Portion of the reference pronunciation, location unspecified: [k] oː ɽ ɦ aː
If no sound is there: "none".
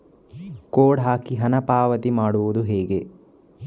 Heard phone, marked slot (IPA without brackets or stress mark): k